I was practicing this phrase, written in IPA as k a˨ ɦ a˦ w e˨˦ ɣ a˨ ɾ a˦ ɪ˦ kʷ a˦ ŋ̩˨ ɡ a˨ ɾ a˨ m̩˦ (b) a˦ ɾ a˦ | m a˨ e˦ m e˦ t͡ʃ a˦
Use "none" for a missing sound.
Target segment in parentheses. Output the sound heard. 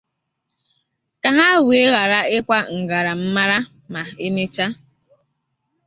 m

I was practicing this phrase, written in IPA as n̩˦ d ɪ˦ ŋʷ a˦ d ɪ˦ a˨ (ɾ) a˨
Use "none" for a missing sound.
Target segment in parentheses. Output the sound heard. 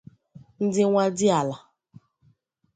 l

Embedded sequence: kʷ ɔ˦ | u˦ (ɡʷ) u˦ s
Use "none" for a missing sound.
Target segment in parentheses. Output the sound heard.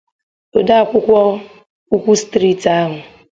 kʷ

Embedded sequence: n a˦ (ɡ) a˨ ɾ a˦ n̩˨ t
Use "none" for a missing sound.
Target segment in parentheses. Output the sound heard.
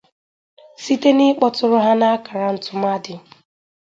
k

